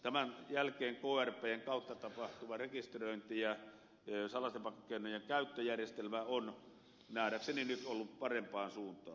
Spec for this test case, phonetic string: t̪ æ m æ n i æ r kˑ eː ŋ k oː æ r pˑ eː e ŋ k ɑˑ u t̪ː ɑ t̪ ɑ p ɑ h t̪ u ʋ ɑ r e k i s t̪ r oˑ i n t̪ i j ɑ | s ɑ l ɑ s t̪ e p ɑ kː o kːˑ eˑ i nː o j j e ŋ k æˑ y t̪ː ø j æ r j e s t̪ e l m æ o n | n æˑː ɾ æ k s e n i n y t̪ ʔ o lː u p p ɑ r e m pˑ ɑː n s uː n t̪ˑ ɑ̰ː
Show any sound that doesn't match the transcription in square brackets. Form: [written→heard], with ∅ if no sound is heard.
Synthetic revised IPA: t̪ æ m æ n [i→j] æ [r→l] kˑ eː ŋ k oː æ r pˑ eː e ŋ k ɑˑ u t̪ː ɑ t̪ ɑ p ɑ h t̪ u ʋ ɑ r e k i s t̪ r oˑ i n t̪ i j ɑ | s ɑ l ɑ s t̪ e p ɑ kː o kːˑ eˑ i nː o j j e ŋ k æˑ y t̪ː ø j æ r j e s t̪ e l m æ o n | n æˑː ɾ æ k s e n i n y t̪ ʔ o lː u p p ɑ r e m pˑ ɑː n s uː n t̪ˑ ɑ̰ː